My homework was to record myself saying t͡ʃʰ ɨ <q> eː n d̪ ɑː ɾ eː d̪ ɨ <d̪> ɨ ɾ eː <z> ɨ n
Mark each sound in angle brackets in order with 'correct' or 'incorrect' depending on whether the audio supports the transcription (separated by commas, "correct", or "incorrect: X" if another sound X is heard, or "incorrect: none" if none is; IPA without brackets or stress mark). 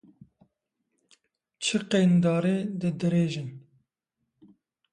correct, correct, incorrect: ʒ